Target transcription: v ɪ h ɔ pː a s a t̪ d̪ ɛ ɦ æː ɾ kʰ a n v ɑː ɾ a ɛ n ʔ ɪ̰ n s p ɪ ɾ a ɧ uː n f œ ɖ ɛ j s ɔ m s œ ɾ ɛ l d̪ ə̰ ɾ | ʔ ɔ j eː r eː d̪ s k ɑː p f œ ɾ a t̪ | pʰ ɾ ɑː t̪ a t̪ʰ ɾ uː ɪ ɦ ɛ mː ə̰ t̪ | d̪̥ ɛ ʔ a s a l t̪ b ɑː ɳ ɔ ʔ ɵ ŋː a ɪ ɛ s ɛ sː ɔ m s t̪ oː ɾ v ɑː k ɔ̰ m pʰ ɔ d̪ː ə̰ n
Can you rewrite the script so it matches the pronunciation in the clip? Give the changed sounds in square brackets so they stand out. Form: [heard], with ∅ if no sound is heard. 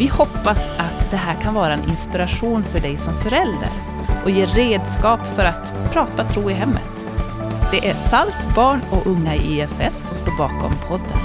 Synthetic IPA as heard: v ɪ h ɔ pː a s a t̪ d̪ ɛ ɦ æː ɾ kʰ a n v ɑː ɾ a ɛ n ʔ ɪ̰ n s p ɪ ɾ a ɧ uː n f œ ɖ ɛ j s ɔ m [f] œ ɾ ɛ l d̪ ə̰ ɾ | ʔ ɔ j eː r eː d̪ s k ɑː p f œ ɾ a t̪ | pʰ ɾ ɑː t̪ a t̪ʰ ɾ uː ɪ ɦ ɛ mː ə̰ t̪ | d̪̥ ɛ ʔ [æ] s a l t̪ b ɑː ɳ ɔ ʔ ɵ ŋː a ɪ ɛ [f] ɛ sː ɔ m s t̪ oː ɾ [b] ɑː k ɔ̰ m pʰ ɔ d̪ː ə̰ n